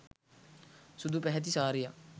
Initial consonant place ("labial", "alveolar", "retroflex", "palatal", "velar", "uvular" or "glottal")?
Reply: alveolar